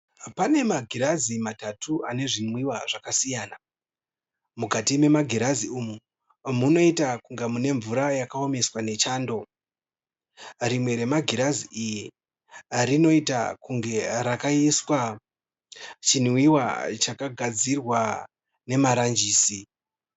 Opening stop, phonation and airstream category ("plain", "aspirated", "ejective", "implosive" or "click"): plain